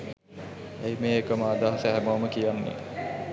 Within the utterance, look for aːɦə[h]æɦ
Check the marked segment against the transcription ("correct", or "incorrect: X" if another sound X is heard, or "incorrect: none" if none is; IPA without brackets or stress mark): incorrect: s